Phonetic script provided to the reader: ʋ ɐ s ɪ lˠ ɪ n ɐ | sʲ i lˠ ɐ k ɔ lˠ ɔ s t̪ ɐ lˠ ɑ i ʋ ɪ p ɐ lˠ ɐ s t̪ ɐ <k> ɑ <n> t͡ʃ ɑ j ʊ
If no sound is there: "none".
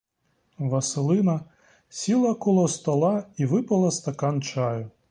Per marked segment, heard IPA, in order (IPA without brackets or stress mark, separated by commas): k, n